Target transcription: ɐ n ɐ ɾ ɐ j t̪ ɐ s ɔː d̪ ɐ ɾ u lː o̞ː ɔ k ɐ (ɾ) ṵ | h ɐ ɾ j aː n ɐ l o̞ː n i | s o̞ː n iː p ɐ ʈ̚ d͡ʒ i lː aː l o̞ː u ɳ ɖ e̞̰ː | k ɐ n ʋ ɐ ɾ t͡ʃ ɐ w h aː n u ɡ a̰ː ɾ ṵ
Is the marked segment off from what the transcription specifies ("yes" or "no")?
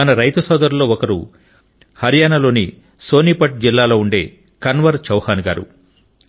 no